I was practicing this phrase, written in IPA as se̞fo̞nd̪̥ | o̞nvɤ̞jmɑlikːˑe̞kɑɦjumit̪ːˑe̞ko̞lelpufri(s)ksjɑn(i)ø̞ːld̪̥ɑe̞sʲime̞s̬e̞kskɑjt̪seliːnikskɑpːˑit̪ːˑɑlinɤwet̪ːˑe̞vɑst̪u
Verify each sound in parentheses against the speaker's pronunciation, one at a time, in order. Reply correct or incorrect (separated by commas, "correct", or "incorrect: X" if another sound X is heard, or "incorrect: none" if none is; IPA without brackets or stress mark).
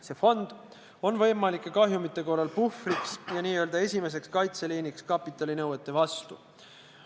incorrect: none, incorrect: iː